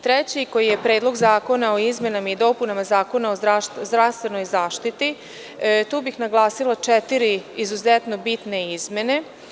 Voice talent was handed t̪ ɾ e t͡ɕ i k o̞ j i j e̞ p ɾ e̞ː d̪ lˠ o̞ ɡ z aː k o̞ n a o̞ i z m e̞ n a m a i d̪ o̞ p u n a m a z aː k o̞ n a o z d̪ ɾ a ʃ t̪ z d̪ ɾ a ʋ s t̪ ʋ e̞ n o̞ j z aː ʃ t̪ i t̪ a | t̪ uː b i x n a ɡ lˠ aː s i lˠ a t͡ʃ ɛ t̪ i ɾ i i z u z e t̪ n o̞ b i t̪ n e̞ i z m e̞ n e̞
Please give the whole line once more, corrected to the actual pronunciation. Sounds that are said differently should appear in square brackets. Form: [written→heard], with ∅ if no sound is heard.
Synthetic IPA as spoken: t̪ ɾ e t͡ɕ i k o̞ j i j e̞ p ɾ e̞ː d̪ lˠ o̞ ɡ z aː k o̞ n a o̞ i z m e̞ n a m a i d̪ o̞ p u n a m a z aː k o̞ n a o z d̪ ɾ a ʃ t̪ z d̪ ɾ a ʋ s t̪ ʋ e̞ n o̞ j z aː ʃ t̪ i t̪ [a→i] | t̪ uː b i x n a ɡ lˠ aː s i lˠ a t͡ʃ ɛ t̪ i ɾ i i z u z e t̪ n o̞ b i t̪ n e̞ i z m e̞ n e̞